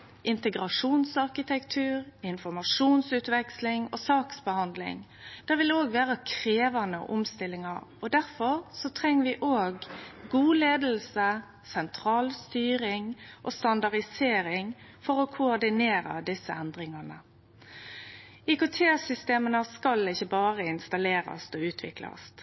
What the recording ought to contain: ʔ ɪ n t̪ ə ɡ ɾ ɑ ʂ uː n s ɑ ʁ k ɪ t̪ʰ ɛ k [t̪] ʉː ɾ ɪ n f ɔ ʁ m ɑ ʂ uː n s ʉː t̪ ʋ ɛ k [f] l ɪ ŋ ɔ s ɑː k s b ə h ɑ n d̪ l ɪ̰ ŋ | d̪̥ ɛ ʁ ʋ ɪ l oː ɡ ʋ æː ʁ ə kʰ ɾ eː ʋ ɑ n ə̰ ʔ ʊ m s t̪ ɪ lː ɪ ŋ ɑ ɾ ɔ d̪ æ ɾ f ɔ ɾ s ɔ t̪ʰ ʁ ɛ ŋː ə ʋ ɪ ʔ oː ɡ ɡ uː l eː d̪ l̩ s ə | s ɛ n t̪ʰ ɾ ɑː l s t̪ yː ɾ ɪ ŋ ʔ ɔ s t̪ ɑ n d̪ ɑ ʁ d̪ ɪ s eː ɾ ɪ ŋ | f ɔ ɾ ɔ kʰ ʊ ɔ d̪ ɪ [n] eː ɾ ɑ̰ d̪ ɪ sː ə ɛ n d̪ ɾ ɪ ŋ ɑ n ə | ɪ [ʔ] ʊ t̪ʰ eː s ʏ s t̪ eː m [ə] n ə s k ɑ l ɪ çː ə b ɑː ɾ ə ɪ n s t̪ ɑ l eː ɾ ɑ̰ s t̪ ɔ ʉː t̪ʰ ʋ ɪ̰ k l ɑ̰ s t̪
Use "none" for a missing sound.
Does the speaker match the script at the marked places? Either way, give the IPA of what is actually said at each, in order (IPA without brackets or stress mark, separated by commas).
t̪ʰ, s, n, k, ə